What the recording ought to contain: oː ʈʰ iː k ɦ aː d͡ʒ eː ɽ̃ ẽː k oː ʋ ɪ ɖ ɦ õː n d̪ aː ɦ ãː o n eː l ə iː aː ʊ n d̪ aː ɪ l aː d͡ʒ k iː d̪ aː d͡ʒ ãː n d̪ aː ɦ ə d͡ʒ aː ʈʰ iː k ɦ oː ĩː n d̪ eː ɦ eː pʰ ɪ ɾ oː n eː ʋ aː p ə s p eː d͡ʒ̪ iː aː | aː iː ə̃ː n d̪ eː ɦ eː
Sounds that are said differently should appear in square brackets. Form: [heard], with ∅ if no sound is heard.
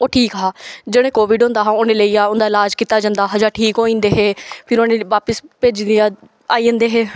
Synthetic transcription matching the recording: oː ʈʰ iː k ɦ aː d͡ʒ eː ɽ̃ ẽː k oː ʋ ɪ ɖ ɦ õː n d̪ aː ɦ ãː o n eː l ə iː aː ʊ n d̪ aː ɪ l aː d͡ʒ k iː [t̪] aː d͡ʒ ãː n d̪ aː ɦ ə d͡ʒ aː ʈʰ iː k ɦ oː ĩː n d̪ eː ɦ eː pʰ ɪ ɾ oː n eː ʋ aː p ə s p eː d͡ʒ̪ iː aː | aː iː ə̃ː n d̪ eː ɦ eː